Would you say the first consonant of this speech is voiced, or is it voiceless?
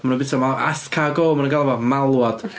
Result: voiced